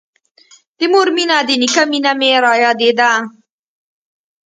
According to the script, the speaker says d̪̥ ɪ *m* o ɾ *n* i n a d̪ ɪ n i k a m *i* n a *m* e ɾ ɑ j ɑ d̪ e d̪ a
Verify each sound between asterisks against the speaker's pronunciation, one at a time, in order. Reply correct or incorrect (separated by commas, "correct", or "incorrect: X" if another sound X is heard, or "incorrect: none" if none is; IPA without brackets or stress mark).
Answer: correct, incorrect: m, correct, correct